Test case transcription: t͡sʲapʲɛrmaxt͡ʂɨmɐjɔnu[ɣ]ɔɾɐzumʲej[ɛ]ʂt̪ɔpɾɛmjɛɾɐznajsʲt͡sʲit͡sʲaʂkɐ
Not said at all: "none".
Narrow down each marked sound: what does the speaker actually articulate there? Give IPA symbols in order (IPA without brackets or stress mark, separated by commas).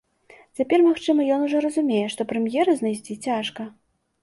ʐ, ɛ